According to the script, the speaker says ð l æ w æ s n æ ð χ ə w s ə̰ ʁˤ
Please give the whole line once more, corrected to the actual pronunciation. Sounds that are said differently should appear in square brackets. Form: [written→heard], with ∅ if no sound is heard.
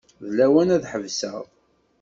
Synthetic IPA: ð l æ w æ [s→∅] n æ ð [χ→ħ] ə [w→v] s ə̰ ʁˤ